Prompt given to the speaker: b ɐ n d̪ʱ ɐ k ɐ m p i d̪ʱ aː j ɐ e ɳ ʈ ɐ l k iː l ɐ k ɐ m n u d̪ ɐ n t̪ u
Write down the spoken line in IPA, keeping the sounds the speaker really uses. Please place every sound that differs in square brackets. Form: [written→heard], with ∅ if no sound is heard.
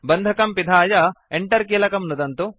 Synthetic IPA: b ɐ n d̪ʱ ɐ k ɐ m p i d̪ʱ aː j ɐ e ɳ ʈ ɐ [l→ɾ] k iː l ɐ k ɐ m n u d̪ ɐ n t̪ u